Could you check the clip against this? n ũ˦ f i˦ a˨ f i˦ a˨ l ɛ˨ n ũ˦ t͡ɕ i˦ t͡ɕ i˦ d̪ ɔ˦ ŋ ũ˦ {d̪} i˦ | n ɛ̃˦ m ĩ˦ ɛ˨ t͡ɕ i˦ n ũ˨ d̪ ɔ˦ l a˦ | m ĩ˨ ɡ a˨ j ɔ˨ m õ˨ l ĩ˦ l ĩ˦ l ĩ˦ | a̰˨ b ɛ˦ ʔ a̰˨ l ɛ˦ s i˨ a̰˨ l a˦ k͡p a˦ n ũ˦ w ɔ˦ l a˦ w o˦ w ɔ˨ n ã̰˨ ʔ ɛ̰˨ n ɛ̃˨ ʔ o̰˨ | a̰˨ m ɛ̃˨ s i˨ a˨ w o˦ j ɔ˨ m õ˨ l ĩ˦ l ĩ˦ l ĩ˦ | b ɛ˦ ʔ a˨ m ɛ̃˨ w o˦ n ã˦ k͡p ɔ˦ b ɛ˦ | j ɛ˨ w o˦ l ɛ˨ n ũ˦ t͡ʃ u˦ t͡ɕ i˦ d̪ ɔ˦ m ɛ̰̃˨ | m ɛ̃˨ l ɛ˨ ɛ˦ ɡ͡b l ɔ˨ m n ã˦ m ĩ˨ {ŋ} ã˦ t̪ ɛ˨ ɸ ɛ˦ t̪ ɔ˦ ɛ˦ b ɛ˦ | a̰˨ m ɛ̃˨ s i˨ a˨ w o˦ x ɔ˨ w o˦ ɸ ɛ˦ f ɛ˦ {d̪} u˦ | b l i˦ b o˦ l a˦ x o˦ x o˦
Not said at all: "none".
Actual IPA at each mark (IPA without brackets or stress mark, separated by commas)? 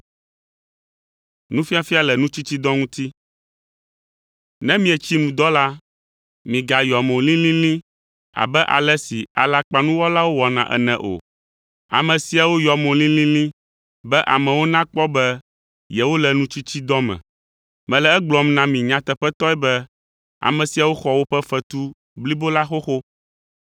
t̪, ɲ, t̪